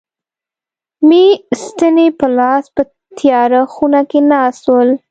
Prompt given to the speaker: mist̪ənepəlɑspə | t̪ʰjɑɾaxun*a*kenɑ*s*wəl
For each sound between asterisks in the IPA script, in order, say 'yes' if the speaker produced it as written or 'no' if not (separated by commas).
yes, yes